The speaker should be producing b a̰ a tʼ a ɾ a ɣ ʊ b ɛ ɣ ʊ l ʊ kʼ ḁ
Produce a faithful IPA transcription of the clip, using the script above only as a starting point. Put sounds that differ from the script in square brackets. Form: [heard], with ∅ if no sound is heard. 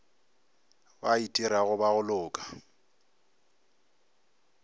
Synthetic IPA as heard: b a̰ [i] tʼ [i] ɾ a ɣ ʊ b [a] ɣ ʊ l [ʊː] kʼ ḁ